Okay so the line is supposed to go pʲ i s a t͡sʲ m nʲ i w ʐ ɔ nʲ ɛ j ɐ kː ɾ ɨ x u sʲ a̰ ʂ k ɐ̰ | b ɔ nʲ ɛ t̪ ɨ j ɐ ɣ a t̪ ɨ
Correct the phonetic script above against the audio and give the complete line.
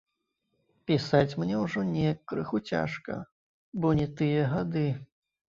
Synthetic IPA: pʲ i s a t͡sʲ m nʲ ɛ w ʐ ɔ nʲ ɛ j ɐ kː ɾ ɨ x u t͡sʲ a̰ ʂ k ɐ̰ | b ɔ nʲ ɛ t̪ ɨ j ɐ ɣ a d̪ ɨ